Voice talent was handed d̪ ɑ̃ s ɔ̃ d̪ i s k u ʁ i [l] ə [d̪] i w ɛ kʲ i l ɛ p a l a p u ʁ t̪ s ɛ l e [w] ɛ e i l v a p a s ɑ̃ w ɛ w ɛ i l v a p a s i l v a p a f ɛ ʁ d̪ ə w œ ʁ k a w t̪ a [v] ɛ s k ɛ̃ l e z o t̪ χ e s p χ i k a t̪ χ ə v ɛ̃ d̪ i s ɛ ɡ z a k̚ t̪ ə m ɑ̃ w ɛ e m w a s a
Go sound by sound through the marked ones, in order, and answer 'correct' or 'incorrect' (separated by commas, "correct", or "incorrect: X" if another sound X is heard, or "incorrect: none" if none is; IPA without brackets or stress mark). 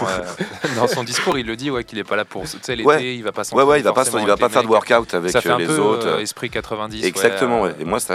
incorrect: lː, correct, correct, correct